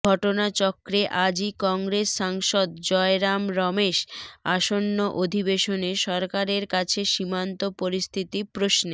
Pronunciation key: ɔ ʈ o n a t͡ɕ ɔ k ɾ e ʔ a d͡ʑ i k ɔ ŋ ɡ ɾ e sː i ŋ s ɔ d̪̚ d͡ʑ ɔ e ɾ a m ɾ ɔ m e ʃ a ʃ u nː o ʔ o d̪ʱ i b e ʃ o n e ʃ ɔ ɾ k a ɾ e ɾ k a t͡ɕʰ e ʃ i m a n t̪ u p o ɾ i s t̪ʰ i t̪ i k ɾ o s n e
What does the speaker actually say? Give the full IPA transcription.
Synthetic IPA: ɔ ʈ o n a t͡ɕ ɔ k ɾ e ʔ a d͡ʑ i k ɔ ŋ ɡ ɾ e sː a ŋ ʃ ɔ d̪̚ d͡ʑ ɔ e ɾ a m ɾ ɔ m e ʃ a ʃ o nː o ʔ o d̪ʱ i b e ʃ o n e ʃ ɔ ɾ k a ɾ e ɾ k a t͡ɕʰ e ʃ i m a n t̪ o p o ɾ i s t̪ʰ i t̪ i p ɾ o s n e